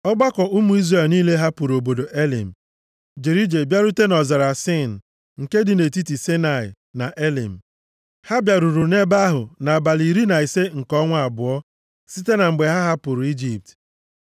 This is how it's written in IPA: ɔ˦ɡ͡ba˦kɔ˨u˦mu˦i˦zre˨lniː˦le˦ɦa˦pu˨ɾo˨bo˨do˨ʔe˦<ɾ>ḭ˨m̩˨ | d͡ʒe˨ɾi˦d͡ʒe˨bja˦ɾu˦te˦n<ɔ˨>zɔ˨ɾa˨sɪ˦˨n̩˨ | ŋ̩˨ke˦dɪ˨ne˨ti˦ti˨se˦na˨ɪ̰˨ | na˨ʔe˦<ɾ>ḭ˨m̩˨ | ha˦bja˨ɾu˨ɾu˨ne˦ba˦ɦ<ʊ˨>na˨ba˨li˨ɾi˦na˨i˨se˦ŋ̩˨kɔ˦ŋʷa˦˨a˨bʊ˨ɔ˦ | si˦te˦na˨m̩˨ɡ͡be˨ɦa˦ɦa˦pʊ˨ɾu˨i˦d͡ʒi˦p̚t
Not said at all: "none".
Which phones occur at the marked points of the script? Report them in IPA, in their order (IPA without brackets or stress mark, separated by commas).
l, ɔ˨, l, ʊ˨